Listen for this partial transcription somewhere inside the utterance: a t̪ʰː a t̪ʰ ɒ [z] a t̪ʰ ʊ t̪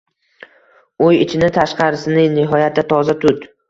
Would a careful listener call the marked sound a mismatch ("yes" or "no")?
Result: no